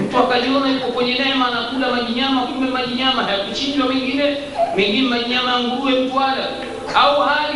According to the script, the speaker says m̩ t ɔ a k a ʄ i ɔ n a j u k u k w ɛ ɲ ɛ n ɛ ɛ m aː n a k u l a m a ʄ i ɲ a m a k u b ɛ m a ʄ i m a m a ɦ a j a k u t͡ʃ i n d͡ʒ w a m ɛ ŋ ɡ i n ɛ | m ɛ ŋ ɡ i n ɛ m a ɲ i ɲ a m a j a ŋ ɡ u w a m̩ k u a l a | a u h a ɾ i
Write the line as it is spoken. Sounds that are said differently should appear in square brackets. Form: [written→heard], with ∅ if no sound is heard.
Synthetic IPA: m̩ t [ɔ→u] a k a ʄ i ɔ n a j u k [u→ɔ] k w ɛ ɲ ɛ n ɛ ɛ m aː n a k u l a m a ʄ i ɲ a m a k u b ɛ m a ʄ i [m→ɲ] a m a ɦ a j a k u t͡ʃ i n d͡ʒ w a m ɛ ŋ ɡ i n ɛ | m ɛ ŋ ɡ i n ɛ m a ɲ i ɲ a m a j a ŋ ɡ u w [a→ɛ] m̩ [k→t] u a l a | a u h a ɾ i